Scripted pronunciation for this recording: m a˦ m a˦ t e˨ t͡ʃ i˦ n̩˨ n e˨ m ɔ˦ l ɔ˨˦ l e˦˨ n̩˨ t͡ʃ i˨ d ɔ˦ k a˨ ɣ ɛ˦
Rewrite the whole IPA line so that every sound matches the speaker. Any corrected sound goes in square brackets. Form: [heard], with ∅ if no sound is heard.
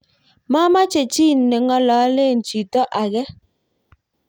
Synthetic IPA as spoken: m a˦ m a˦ [t͡ʃ] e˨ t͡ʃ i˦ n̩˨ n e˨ [ŋ] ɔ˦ l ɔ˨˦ l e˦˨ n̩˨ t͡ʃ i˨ [t] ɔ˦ [ʔ] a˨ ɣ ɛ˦